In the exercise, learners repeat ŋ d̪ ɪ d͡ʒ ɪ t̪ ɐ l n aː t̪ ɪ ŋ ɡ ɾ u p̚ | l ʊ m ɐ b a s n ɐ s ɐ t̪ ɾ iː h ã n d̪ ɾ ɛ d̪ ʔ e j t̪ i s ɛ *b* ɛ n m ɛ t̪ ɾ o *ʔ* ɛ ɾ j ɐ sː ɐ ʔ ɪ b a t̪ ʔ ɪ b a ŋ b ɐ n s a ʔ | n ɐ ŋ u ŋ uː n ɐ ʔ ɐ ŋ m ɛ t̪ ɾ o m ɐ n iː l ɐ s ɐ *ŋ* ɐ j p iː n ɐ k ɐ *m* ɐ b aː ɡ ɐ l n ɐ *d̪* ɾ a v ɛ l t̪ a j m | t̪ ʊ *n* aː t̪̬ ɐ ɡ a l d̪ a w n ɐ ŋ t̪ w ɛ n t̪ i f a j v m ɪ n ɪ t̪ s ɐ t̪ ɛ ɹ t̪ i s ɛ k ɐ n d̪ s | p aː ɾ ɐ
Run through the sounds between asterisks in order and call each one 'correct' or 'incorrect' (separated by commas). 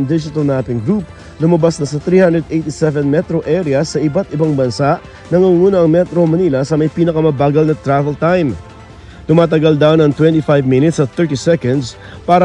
incorrect, correct, incorrect, correct, incorrect, incorrect